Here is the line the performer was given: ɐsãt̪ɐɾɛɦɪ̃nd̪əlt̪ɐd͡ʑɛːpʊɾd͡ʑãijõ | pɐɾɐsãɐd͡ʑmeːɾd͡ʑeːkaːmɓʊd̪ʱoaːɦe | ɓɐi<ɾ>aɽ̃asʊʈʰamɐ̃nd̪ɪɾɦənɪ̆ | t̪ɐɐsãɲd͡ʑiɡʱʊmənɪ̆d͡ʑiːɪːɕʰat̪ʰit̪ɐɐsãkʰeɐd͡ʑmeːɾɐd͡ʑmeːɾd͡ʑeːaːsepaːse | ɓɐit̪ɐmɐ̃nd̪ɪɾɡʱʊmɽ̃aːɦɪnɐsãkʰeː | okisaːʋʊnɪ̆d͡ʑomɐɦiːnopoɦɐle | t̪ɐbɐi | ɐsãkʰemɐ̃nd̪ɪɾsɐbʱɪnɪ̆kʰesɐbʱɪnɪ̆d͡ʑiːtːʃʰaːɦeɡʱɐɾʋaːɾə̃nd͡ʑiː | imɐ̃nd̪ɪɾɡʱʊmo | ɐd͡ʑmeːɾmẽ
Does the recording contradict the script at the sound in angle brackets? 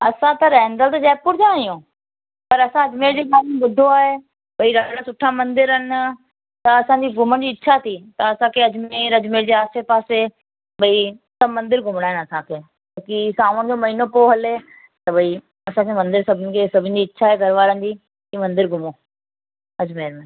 no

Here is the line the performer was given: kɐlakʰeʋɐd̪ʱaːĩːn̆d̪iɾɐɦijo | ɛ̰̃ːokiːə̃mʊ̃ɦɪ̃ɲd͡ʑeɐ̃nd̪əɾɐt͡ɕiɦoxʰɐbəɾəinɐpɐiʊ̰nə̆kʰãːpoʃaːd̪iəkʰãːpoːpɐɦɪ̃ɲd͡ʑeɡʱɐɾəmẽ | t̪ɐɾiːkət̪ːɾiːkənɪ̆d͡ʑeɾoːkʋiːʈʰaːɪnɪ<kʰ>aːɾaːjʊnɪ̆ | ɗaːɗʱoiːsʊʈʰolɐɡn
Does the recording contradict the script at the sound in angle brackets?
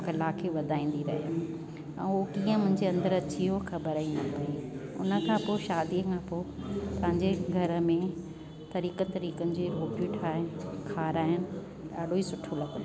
no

